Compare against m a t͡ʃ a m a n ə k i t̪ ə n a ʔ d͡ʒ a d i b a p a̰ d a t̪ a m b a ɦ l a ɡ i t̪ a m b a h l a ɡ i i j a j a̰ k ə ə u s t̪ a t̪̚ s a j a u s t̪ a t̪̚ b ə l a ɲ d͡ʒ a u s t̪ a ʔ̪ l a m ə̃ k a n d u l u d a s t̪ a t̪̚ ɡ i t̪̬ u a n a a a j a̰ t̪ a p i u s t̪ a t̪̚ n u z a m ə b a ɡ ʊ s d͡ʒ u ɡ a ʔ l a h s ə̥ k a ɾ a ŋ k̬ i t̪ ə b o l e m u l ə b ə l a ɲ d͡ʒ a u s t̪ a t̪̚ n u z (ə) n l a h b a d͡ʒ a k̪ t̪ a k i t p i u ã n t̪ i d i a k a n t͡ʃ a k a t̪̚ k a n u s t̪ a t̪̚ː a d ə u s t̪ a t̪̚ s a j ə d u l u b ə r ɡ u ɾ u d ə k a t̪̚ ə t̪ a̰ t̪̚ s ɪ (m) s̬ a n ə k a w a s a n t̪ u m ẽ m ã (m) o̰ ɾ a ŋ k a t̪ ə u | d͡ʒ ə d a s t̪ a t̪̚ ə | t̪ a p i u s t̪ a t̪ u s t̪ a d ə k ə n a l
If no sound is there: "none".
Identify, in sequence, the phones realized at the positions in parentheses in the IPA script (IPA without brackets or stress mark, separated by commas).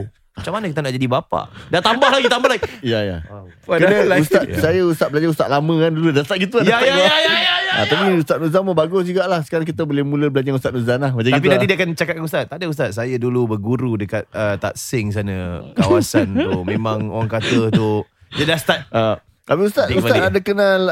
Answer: a, ŋ, ŋ